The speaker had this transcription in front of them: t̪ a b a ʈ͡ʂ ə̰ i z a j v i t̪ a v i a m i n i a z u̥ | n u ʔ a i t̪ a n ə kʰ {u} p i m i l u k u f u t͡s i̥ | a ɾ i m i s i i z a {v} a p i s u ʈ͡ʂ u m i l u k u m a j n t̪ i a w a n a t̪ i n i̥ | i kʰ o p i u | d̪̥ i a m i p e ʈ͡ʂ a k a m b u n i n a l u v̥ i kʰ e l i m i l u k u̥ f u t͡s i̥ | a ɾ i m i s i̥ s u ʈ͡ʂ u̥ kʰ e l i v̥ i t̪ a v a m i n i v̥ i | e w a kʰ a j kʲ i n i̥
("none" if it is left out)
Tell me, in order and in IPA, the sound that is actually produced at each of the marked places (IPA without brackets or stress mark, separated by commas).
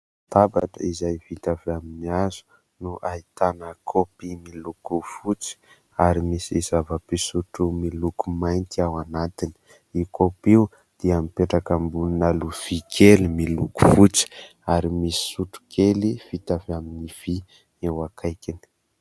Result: o, v